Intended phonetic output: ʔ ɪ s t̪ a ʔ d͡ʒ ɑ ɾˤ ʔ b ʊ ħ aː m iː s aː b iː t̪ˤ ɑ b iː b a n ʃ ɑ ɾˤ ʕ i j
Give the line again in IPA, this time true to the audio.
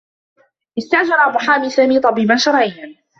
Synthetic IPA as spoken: ʔ ɪ s t̪ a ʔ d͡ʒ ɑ ɾˤ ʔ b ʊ ħ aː m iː s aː m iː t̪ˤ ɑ b iː b a n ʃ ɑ ɾˤ ʕ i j